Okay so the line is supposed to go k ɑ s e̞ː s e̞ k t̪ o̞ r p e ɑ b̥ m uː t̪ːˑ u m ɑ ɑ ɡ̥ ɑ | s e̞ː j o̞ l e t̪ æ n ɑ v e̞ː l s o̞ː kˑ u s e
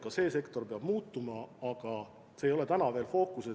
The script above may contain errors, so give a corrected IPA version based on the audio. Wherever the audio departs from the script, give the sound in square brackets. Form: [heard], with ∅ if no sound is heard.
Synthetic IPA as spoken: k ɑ s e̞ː s e̞ k t̪ o̞ r p e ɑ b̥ m uː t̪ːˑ u m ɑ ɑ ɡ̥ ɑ | s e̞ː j o̞ l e t̪ æ n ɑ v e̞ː l [f] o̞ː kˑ u s e